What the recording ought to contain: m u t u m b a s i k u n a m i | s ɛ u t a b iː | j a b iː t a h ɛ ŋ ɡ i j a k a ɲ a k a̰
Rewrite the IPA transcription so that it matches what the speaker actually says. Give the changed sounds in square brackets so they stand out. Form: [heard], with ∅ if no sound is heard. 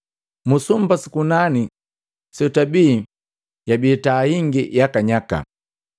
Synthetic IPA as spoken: m u [s] u m b a s i k u n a [n] i | s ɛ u t a b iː | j a b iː t a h [i] ŋ ɡ i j a k a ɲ a k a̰